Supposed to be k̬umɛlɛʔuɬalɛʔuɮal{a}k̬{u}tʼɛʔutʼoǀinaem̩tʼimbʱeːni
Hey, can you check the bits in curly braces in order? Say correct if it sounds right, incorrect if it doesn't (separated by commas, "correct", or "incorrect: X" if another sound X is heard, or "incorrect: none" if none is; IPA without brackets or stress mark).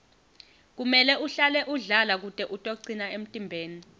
correct, correct